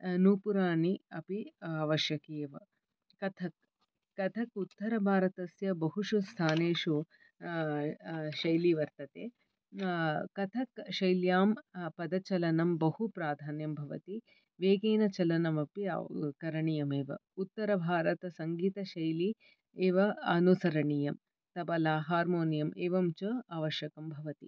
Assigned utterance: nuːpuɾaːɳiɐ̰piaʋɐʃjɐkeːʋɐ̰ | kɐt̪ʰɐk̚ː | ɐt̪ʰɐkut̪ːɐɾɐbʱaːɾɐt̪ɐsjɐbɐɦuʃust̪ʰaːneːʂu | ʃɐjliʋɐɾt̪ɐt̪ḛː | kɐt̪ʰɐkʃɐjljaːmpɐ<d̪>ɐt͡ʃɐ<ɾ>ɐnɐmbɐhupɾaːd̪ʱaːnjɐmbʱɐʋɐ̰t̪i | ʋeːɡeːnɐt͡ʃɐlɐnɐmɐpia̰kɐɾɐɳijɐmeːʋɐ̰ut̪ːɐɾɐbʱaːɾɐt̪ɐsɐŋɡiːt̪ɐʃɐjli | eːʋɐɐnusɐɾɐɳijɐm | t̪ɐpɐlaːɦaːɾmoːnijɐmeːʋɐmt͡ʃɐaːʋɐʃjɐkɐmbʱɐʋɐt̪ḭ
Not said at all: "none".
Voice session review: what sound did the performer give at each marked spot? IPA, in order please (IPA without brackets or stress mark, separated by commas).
d̪, l